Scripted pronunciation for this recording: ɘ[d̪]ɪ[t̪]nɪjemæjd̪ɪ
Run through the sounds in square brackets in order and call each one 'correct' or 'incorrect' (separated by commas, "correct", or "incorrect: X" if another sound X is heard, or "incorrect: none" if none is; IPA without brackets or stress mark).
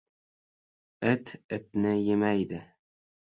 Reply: incorrect: t̪, correct